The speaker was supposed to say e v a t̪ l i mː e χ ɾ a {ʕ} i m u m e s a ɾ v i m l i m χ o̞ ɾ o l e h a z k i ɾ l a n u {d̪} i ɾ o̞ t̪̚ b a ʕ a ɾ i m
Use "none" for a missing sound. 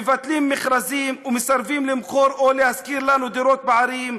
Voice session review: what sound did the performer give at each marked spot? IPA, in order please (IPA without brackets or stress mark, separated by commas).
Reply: z, d̪